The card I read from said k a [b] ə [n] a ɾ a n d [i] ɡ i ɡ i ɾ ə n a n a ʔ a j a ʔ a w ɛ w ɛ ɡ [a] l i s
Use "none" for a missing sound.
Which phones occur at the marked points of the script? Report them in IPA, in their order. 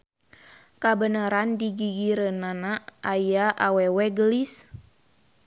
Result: b, n, i, ə

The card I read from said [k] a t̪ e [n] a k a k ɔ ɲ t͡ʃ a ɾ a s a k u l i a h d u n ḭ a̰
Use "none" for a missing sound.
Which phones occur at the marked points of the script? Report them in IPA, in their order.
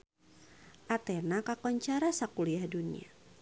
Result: ʔ, n

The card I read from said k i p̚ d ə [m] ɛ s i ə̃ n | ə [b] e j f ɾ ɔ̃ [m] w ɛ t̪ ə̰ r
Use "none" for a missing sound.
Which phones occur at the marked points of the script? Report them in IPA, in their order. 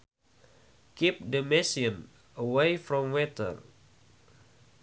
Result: m, w, m

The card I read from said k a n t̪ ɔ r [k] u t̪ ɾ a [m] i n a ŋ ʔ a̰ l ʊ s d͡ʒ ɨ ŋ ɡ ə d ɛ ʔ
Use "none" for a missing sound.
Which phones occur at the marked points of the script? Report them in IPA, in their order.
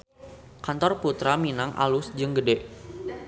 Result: p, m

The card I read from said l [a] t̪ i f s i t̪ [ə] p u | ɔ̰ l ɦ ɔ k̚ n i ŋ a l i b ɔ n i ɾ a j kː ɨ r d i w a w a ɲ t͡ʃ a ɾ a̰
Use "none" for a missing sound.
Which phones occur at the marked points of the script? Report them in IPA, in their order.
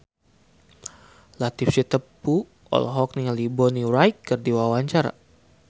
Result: a, ə

